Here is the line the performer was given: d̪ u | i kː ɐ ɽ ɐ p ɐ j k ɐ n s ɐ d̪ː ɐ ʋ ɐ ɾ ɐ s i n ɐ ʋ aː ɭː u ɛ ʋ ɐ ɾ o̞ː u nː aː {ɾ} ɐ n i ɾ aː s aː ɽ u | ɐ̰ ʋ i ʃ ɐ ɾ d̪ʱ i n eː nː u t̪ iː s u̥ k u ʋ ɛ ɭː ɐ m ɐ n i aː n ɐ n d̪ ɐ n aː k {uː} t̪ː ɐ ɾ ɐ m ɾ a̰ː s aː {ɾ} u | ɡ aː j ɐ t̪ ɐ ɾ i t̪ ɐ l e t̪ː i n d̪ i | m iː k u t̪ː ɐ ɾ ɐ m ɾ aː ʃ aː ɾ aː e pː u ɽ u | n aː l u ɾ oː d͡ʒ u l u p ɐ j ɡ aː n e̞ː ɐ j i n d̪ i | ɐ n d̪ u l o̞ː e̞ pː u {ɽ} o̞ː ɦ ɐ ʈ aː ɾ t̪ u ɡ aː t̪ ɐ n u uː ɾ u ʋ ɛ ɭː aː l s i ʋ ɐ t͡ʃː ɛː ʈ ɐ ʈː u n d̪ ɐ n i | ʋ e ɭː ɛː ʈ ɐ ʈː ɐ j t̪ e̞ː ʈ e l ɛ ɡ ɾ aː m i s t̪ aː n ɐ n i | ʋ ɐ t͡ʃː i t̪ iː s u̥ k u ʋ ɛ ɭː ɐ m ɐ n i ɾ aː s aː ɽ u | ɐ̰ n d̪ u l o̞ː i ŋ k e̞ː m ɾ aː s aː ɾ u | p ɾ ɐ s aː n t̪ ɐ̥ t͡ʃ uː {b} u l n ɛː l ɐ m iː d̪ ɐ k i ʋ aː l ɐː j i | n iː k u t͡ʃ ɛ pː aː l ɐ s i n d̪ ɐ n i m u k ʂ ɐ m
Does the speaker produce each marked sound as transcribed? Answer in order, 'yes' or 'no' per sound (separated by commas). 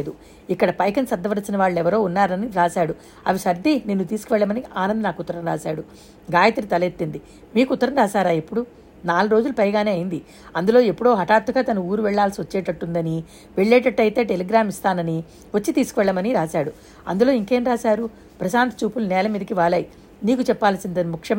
yes, no, no, yes, no